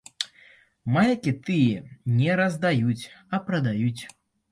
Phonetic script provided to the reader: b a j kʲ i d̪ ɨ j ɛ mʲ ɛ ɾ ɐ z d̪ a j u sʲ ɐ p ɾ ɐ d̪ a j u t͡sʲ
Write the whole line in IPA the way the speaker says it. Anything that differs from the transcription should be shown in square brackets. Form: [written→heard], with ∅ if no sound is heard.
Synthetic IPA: [b→m] a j kʲ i [d̪→t̪] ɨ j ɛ [mʲ→nʲ] ɛ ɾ ɐ z d̪ a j u [sʲ→t͡sʲ] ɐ p ɾ ɐ d̪ a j u t͡sʲ